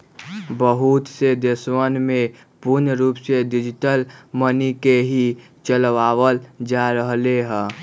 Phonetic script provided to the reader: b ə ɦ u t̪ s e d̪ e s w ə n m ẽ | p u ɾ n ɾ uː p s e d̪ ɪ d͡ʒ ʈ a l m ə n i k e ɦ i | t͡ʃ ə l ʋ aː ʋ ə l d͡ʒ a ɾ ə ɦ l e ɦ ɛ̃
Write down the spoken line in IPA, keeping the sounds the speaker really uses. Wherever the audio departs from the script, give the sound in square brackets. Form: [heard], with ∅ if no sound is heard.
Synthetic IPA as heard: b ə ɦ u t̪ s e d̪ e s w ə n m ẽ | p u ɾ n ɾ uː p s e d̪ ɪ d͡ʒ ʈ [ə] l m ə n i k e ɦ i | t͡ʃ ə l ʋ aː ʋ ə l d͡ʒ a ɾ ə ɦ l e ɦ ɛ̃